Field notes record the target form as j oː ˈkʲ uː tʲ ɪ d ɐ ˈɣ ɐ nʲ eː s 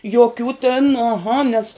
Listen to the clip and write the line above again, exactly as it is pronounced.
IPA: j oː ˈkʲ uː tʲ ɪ n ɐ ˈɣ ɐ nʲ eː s